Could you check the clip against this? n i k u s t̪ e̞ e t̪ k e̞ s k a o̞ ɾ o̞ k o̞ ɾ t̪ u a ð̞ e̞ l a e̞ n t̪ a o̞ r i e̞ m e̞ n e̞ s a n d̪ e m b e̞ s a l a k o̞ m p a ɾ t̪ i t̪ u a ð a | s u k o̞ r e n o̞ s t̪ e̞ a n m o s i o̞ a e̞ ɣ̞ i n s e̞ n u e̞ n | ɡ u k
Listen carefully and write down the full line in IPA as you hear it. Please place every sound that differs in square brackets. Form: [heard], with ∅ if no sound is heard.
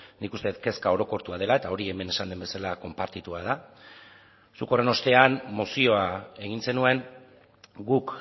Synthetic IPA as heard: n i k u s t̪ e̞ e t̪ k e̞ s k a o̞ ɾ o̞ k o̞ ɾ t̪ u a ð̞ e̞ l a e̞ [∅] t̪ a o̞ [ɾ] i e̞ m e̞ n e̞ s a n d̪ e m b e̞ s a l a k o̞ m p a ɾ t̪ i t̪ u a ð a | s u k o̞ r e n o̞ s t̪ e̞ a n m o s i o̞ a e̞ ɣ̞ i n s e̞ n u e̞ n | ɡ u k